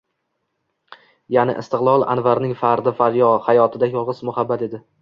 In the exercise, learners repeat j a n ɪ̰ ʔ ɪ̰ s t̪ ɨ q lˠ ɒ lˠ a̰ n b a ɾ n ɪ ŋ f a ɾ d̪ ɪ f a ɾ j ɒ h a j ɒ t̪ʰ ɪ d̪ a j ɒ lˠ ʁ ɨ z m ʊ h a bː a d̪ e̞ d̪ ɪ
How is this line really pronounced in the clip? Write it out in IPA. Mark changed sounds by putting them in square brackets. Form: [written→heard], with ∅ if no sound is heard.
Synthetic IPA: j a n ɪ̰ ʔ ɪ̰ s t̪ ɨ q lˠ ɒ lˠ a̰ n [b→v] a ɾ n ɪ ŋ f a ɾ d̪ ɪ f a ɾ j ɒ h a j ɒ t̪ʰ ɪ d̪ a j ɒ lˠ ʁ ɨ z m ʊ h a bː a [d̪→t̪] e̞ d̪ ɪ